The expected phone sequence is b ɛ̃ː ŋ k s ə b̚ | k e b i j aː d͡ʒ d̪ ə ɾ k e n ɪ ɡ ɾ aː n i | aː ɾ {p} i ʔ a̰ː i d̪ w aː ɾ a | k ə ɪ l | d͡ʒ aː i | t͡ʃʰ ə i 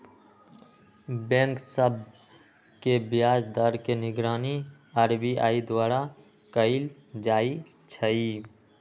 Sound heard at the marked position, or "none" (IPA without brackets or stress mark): b